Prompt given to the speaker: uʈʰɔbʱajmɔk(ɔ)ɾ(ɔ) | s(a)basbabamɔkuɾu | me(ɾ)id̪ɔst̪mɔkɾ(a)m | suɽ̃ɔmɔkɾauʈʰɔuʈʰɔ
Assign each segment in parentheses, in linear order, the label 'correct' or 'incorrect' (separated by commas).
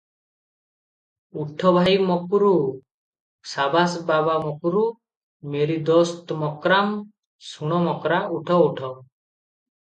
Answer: incorrect, incorrect, correct, correct, correct